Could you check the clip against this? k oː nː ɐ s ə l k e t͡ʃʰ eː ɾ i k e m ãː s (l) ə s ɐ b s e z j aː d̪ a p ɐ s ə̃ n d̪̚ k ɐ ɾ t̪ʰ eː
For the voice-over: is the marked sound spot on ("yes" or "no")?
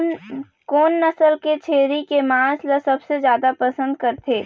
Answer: yes